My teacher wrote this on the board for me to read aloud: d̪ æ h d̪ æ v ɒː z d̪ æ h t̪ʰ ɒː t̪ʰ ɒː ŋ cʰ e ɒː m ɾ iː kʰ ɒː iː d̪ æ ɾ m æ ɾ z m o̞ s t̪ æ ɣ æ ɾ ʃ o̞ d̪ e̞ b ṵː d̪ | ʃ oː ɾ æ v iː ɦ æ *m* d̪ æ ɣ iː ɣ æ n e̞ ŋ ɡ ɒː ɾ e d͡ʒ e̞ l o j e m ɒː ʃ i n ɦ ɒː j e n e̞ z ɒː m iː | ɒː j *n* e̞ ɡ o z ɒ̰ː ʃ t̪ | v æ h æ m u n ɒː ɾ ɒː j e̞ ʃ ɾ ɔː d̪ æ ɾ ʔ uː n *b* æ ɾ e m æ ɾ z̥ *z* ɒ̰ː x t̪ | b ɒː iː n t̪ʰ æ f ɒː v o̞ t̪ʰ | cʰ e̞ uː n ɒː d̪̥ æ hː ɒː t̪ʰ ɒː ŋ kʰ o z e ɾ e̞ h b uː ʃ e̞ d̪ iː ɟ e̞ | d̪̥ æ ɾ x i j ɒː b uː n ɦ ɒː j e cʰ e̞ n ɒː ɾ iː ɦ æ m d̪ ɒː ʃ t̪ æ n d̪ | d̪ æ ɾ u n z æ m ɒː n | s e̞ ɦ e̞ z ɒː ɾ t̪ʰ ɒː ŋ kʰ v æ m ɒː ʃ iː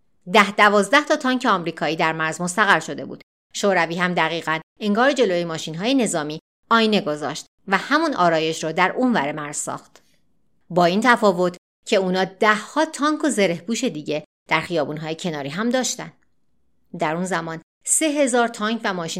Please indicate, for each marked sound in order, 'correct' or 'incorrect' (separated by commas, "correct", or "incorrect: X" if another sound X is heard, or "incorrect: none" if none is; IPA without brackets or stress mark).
correct, correct, incorrect: v, incorrect: s